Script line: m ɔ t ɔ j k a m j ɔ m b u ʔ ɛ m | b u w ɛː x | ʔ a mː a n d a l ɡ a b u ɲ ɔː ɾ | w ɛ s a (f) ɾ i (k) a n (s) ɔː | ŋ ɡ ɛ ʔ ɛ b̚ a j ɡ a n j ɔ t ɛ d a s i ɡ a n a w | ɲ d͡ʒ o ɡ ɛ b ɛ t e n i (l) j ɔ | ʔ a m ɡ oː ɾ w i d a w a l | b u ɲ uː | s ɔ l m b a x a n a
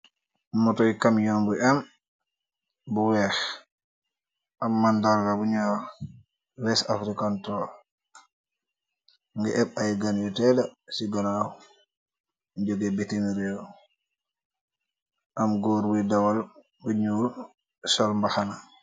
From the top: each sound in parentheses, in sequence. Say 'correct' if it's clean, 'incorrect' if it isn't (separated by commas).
correct, correct, incorrect, incorrect